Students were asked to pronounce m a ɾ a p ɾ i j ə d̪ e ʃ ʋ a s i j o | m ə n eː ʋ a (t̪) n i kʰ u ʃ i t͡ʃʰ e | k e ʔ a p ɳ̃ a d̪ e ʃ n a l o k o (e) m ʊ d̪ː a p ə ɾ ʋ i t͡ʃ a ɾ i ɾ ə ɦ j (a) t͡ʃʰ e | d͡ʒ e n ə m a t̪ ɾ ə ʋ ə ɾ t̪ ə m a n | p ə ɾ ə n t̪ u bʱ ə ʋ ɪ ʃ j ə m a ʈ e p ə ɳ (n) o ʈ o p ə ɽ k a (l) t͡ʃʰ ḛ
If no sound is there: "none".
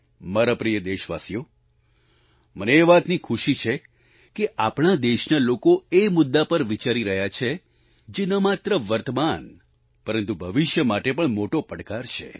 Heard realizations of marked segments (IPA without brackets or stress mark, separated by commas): t̪, e, a, m, ɾ